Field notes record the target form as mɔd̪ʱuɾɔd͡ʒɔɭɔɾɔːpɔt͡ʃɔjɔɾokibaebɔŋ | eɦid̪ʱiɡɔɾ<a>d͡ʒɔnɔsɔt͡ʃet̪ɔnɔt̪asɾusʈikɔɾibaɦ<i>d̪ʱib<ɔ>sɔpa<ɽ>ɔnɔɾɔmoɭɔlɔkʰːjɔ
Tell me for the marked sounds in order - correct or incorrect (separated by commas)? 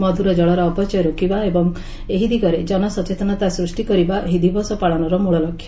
incorrect, correct, correct, incorrect